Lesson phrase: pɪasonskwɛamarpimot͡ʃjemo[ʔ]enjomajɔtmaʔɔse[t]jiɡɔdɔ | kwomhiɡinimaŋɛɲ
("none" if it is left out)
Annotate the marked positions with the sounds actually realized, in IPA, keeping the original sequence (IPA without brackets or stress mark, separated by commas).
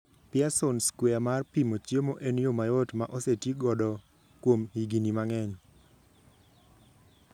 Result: ʔ, t